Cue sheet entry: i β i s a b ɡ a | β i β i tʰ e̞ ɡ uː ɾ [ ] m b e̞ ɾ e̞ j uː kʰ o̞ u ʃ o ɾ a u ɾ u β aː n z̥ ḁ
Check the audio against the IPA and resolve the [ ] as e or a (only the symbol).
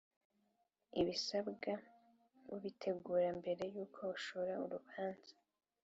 a